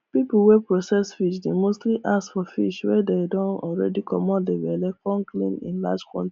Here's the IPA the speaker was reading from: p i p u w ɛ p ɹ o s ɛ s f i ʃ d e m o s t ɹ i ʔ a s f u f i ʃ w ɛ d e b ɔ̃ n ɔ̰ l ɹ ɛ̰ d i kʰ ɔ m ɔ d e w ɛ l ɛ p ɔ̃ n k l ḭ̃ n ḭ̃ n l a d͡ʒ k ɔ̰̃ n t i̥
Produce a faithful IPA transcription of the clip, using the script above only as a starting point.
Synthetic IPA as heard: p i p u w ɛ p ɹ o s ɛ s f i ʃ d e m o s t l i ʔ a s f ɔ f i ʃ w ɛ d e d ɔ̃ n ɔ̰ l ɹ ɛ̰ d i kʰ ɔ m ɔ d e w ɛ l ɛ k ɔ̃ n k l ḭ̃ n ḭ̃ n l a d͡ʒ k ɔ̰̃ n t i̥